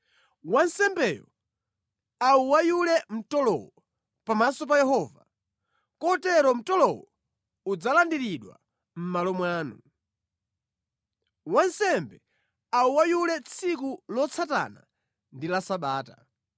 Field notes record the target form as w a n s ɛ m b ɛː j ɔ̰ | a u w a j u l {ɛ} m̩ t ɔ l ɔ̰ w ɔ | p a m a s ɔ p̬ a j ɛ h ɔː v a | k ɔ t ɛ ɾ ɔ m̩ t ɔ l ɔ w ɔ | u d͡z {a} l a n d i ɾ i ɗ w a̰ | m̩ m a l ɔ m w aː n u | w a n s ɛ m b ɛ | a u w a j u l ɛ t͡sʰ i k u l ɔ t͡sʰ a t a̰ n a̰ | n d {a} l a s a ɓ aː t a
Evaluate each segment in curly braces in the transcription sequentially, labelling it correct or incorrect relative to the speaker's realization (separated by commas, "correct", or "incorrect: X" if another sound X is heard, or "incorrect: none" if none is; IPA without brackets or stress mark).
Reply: correct, correct, incorrect: i